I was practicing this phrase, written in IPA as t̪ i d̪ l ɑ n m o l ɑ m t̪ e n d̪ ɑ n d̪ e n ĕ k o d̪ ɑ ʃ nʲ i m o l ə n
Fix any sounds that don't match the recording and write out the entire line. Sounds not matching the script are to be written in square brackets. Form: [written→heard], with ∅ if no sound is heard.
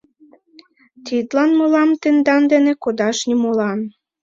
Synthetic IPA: t̪ i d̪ l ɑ n m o l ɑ m t̪ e n d̪ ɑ n d̪ e n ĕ k o d̪ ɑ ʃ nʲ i m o l [ə→ɑ] n

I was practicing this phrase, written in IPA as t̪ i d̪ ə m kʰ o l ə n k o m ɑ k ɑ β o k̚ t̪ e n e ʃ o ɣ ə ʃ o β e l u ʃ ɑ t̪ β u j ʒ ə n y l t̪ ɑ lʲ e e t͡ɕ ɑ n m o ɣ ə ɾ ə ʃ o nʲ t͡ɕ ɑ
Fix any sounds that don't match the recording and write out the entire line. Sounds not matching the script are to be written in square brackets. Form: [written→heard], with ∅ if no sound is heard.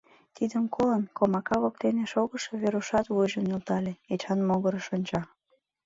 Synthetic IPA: t̪ i d̪ ə m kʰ o l ə n k o m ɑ k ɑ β o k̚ t̪ e n e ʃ o ɣ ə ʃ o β e [l→ɾ] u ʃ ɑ t̪ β u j ʒ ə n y l t̪ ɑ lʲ e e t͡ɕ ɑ n m o ɣ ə ɾ ə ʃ o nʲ t͡ɕ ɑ

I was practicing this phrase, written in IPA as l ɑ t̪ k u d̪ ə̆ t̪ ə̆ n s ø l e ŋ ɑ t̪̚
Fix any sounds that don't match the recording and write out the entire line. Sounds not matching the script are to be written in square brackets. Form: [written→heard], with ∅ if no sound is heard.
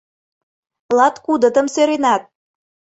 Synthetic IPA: l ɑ t̪ k u d̪ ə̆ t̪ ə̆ [n→m] s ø [l→ɾ] e [ŋ→n] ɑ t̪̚

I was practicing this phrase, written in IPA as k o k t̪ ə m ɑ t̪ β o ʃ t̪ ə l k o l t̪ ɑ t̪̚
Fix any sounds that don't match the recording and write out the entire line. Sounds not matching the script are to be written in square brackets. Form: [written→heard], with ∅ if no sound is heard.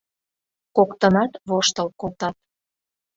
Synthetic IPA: k o k t̪ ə [m→n] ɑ t̪ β o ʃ t̪ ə l k o l t̪ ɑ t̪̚

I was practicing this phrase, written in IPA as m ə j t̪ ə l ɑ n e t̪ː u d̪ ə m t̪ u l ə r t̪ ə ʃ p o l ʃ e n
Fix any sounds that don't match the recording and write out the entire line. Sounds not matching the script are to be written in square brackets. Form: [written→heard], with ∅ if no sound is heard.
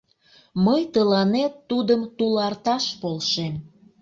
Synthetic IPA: m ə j t̪ ə l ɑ n e t̪ː u d̪ ə m t̪ u l [ə→ɑ] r t̪ [ə→ɑ] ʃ p o l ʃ e [n→m]

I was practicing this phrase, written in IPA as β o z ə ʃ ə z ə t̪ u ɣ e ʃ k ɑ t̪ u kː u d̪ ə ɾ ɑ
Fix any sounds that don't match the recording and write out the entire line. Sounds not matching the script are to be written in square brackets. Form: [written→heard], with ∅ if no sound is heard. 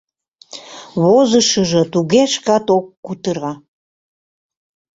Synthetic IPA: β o z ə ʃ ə [z→ʒ] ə t̪ u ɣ e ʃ k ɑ t̪ [u→o] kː u [d̪→t̪] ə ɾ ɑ

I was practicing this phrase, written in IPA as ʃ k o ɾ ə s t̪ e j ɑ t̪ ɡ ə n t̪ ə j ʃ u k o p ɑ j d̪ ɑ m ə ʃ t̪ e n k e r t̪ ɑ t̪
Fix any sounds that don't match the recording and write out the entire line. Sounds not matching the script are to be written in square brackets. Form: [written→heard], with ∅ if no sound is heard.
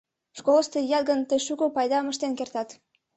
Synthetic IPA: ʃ k o [ɾ→l] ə s t̪ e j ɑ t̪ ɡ ə n t̪ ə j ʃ u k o p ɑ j d̪ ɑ m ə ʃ t̪ e n k e r t̪ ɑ t̪

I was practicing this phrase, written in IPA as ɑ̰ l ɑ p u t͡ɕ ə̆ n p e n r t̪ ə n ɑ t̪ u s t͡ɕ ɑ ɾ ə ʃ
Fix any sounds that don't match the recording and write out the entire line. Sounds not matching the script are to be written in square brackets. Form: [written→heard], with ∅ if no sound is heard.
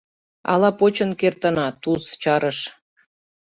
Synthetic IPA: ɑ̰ l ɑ p [u→o] t͡ɕ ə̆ n [p→k] e [n→∅] r t̪ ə n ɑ t̪ u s t͡ɕ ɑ ɾ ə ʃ

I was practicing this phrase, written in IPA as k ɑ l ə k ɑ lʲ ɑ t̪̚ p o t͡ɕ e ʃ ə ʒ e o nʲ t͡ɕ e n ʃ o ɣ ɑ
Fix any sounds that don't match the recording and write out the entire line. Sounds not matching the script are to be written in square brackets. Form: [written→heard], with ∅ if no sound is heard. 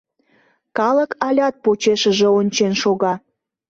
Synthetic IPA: k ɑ l ə k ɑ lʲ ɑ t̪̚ p o t͡ɕ e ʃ ə ʒ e o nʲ t͡ɕ e n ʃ o ɣ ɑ

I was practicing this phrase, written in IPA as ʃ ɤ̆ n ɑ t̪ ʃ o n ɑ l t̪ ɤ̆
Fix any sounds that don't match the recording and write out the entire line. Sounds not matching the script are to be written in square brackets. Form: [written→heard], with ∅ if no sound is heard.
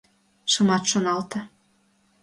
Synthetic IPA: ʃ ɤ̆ [n→m] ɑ t̪ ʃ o n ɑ l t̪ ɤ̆

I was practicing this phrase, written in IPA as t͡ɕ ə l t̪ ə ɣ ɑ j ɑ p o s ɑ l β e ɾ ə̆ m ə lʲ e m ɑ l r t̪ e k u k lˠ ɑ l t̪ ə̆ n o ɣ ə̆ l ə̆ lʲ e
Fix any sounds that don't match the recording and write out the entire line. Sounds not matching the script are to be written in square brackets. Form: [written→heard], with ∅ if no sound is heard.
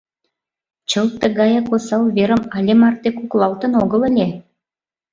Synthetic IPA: t͡ɕ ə l t̪ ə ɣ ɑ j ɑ [p→k] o s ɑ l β e ɾ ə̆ m [ə→ɑ] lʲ e m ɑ [l→∅] r t̪ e k u k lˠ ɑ l t̪ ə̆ n o ɣ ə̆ l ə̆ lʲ e

